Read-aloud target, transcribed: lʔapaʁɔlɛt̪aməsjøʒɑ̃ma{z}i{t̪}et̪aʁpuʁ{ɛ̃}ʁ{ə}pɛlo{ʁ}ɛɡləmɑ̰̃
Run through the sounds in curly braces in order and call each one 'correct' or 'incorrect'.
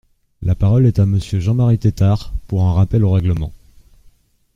incorrect: ʁ, correct, correct, incorrect: a, correct

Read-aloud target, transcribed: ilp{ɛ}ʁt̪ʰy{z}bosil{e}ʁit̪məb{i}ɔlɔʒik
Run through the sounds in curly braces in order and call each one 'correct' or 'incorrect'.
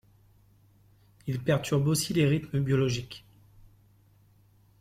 correct, incorrect: ʁ, correct, incorrect: j

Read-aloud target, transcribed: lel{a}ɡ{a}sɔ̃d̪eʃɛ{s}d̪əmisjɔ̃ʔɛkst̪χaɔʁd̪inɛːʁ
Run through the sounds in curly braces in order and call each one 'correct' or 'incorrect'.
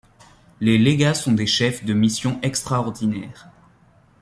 incorrect: e, correct, incorrect: f

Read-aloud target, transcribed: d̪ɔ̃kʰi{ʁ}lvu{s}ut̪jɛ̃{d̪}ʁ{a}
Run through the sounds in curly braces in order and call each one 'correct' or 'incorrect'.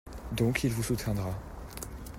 incorrect: none, correct, correct, correct

